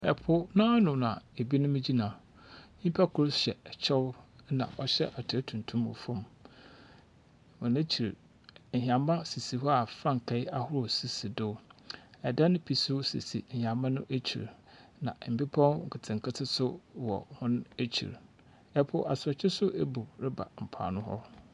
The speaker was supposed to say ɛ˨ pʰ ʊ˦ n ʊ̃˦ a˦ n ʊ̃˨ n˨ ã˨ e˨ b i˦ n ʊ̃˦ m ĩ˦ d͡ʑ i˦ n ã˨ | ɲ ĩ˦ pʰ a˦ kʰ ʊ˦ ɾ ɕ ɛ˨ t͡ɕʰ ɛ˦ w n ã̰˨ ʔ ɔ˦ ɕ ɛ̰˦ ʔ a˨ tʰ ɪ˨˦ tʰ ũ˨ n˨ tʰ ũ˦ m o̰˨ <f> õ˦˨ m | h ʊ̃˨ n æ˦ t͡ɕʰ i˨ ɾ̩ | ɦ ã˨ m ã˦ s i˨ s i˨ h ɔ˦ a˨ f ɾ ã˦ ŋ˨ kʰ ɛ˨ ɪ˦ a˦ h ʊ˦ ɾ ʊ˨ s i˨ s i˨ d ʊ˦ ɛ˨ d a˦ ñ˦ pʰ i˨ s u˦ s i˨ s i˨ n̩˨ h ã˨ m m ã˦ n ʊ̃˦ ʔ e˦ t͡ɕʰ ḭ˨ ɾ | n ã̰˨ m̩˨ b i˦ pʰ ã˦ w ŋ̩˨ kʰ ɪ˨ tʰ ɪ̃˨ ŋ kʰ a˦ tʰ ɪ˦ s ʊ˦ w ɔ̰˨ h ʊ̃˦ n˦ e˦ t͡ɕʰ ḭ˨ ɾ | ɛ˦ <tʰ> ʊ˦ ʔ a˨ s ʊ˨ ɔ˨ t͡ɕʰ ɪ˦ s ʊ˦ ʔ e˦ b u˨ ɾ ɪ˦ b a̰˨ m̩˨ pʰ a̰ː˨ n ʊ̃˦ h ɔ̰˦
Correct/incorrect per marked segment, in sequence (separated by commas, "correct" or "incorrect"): correct, incorrect